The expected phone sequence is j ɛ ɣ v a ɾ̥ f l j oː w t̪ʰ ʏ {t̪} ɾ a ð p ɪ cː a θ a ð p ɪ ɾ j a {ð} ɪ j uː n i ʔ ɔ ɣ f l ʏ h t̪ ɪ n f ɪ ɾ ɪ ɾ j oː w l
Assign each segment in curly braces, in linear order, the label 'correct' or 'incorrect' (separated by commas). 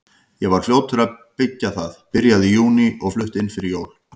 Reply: incorrect, correct